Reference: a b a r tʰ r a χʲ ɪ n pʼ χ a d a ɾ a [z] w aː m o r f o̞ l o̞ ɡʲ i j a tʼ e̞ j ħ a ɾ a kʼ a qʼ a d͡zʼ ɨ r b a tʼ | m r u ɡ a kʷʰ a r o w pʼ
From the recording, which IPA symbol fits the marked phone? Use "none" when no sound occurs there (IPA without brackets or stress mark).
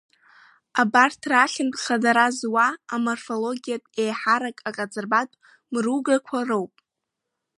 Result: z